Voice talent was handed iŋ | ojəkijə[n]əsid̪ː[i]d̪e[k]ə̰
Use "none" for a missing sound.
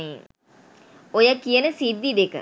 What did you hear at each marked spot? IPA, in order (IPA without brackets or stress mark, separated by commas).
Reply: n, i, k